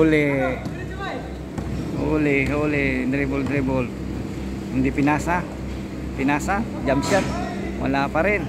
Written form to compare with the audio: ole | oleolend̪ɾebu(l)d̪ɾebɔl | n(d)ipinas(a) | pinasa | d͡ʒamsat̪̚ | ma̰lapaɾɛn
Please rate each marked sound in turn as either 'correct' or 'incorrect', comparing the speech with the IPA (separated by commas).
correct, correct, correct